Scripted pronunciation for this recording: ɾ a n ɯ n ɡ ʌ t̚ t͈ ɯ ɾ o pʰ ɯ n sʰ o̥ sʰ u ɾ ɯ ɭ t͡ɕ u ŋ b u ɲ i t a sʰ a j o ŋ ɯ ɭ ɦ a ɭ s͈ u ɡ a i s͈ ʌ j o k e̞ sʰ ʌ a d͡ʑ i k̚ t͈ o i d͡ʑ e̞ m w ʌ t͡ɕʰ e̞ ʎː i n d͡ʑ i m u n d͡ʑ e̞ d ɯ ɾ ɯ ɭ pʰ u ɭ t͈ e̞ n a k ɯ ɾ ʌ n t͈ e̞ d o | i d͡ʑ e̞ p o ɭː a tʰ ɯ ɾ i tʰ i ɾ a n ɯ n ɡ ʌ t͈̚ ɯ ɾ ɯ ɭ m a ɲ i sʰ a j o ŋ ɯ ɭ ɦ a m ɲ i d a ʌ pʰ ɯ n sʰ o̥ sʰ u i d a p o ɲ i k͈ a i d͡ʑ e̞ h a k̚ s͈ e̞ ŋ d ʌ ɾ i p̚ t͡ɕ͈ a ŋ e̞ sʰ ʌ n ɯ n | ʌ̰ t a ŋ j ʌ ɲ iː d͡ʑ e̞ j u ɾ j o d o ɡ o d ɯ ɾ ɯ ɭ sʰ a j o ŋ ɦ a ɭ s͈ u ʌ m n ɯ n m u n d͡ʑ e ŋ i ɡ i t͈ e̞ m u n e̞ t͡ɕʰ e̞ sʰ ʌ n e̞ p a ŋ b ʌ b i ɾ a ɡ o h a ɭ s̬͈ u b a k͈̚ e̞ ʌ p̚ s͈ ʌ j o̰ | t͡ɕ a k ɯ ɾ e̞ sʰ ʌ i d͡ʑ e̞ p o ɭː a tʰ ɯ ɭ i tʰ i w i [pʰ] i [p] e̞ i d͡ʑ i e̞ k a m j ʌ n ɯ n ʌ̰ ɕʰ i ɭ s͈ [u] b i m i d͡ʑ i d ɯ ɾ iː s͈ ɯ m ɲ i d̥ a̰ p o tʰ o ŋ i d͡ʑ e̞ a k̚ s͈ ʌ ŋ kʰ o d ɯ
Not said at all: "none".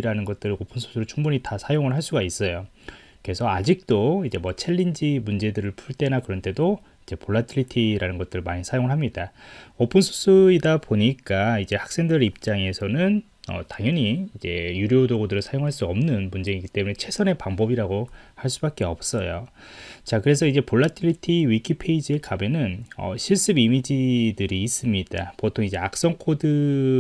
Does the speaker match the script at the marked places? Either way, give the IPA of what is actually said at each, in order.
kʰ, pʰ, ɯ

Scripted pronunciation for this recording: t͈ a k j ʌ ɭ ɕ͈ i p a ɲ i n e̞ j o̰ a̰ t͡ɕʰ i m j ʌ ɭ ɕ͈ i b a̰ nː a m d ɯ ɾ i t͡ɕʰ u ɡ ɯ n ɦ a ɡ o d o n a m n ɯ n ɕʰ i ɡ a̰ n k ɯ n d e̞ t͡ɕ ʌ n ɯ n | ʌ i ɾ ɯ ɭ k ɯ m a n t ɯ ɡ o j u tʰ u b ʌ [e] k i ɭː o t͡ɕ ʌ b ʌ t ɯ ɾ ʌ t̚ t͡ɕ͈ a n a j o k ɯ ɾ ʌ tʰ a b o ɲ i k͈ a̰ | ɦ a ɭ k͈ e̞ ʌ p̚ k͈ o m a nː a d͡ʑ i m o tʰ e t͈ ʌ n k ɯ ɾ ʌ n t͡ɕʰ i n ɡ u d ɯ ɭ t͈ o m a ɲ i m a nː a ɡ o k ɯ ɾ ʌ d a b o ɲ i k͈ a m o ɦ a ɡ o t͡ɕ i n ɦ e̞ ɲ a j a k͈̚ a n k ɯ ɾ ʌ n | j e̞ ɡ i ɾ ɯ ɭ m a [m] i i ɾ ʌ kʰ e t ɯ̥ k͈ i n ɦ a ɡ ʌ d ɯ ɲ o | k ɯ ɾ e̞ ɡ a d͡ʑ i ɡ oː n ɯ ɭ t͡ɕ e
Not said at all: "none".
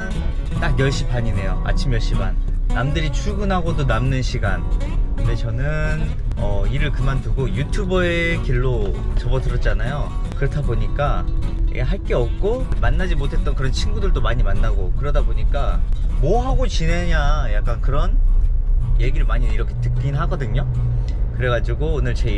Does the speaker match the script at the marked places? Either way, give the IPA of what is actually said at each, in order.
e, ɲ

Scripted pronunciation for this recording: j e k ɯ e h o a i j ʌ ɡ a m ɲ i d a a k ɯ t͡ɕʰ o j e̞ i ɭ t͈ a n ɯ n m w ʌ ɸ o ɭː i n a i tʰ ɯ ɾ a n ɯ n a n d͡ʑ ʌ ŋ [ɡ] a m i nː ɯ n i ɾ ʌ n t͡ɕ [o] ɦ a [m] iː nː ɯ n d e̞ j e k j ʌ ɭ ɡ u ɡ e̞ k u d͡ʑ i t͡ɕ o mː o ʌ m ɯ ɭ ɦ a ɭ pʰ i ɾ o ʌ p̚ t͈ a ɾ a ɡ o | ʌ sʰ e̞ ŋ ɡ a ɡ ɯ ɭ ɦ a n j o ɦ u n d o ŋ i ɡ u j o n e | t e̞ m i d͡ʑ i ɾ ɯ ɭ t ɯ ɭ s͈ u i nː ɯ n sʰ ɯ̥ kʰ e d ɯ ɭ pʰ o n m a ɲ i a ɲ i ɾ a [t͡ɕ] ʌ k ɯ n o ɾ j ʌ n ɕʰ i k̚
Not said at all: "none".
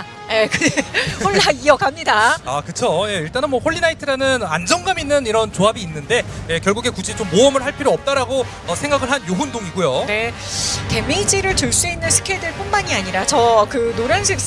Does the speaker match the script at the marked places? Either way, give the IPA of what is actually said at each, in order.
ɡ, o, b, t͡ɕ

